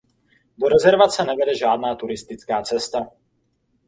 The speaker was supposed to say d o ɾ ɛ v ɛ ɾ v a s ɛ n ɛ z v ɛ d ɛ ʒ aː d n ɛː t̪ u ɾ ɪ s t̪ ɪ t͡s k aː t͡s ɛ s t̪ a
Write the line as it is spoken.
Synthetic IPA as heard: d o ɾ ɛ z ɛ ɾ v a t͡s ɛ n ɛ v ɛ d ɛ ʒ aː d n aː t̪ u ɾ ɪ s t̪ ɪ t͡s k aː t͡s ɛ s t̪ a